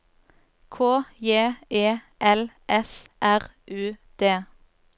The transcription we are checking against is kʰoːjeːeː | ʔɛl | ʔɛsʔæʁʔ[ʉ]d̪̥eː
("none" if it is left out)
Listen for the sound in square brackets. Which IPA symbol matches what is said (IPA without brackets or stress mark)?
ʉː